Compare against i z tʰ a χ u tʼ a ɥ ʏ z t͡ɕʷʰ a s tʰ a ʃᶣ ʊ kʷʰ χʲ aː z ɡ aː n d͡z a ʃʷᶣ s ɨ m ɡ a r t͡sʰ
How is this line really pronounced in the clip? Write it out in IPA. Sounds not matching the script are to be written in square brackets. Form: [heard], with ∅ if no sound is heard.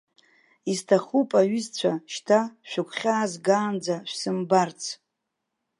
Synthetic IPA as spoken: i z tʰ a χ u [pʼ] a ɥ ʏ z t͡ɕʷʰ a [ʃ] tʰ a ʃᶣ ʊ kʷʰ χʲ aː z ɡ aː n d͡z a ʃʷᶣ s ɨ m [b] a r t͡sʰ